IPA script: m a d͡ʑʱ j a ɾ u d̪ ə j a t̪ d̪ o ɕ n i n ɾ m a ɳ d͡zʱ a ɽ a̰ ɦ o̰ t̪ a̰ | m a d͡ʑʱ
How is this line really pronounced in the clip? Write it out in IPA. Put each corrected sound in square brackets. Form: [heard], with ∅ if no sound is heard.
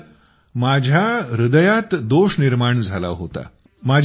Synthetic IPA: m a d͡ʑʱ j a ɾ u d̪ ə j a t̪ d̪ o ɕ n i [∅] ɾ m a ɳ d͡zʱ a [l] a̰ ɦ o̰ t̪ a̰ | m a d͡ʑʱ